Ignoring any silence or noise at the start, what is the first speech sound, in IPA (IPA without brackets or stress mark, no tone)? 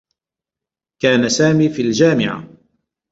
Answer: k